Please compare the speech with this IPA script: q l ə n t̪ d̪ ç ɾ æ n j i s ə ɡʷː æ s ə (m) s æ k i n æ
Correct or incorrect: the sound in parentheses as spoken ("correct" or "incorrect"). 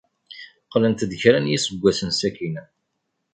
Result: incorrect